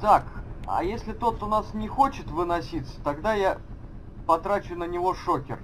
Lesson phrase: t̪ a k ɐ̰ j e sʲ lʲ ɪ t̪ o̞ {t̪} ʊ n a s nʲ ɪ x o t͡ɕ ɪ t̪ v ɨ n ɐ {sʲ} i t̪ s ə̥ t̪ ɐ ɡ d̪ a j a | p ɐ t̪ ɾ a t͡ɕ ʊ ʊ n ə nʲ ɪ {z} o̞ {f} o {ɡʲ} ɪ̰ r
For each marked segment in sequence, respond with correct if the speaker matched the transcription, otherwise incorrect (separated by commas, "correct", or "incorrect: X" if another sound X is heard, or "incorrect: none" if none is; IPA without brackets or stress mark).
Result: correct, correct, incorrect: v, incorrect: ʂ, incorrect: kʲ